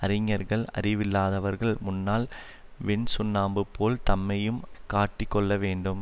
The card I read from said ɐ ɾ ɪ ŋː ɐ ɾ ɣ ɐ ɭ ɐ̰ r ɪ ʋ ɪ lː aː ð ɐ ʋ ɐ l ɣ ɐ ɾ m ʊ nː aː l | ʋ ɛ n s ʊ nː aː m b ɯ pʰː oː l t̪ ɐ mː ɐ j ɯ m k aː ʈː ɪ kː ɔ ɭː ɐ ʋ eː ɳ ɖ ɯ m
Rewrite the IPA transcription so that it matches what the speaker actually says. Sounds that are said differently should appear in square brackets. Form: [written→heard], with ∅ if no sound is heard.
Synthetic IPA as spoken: ɐ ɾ ɪ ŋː ɐ ɾ ɣ ɐ ɭ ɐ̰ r ɪ ʋ ɪ lː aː ð ɐ ʋ ɐ [l→ɾ] ɣ ɐ [ɾ→ɭ] m ʊ nː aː l | ʋ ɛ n s ʊ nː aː m b ɯ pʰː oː l t̪ ɐ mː ɐ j ɯ m k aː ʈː ɪ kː ɔ ɭː ɐ ʋ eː ɳ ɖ ɯ m